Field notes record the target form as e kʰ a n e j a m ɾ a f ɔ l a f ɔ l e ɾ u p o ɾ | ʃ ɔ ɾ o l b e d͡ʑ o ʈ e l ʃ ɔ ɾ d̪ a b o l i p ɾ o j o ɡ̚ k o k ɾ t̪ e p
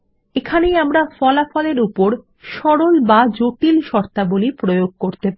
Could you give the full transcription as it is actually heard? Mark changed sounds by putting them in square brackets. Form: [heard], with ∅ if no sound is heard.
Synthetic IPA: e kʰ a n e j a m ɾ a f ɔ l a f ɔ l e ɾ u p o ɾ | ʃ ɔ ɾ o l b [a] d͡ʑ o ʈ [i] l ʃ ɔ ɾ [t̪] a b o l i p ɾ o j o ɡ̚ k o [∅] ɾ t̪ e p